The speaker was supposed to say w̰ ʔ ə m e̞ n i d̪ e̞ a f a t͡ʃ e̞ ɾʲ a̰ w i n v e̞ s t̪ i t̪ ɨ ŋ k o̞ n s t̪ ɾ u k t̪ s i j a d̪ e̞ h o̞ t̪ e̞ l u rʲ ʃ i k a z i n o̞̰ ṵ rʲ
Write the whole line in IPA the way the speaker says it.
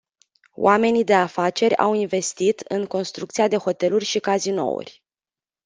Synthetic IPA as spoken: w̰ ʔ a m e̞ n i d̪ e̞ a f a t͡ʃ e̞ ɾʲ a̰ w i n v e̞ s t̪ i t̪ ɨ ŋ k o̞ n s t̪ ɾ u k t̪ s i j a d̪ e̞ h o̞ t̪ e̞ l u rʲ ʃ i k a z i n o̞̰ ṵ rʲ